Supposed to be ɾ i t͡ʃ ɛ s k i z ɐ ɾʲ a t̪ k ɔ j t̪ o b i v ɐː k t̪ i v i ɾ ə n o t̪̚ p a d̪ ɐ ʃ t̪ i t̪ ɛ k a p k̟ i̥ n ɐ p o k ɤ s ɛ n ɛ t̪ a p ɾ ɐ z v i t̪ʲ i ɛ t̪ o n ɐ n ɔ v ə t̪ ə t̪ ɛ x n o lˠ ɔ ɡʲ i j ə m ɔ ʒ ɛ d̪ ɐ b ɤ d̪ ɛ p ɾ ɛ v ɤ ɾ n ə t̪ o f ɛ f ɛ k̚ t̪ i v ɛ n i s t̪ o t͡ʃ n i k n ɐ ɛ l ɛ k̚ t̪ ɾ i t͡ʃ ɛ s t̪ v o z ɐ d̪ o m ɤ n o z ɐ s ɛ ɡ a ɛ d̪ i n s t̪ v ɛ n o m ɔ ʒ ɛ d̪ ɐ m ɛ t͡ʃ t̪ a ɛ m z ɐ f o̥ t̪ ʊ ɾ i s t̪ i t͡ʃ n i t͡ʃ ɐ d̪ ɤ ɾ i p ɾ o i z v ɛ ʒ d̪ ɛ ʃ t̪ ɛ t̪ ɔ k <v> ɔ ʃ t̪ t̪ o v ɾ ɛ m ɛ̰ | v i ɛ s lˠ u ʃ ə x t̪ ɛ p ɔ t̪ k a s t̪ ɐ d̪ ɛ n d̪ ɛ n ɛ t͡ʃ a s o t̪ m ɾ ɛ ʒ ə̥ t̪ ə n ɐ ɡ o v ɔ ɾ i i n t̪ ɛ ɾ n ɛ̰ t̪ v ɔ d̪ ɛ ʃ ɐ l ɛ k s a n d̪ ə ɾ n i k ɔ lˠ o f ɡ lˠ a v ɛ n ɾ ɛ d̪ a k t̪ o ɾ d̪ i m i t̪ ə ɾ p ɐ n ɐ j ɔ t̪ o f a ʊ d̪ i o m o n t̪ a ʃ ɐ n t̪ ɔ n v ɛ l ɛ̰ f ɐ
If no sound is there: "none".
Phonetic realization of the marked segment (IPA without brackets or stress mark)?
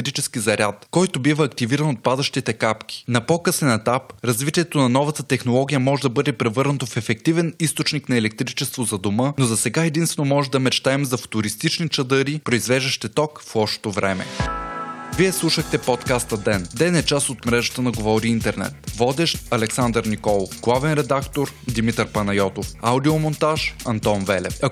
f